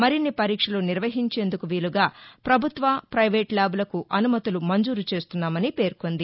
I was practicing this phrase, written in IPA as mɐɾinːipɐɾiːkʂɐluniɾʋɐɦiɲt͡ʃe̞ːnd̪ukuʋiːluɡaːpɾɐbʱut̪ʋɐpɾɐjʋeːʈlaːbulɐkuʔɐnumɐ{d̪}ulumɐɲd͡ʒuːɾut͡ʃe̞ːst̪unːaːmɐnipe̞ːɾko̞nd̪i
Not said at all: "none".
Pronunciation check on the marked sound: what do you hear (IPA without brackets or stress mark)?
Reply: t̪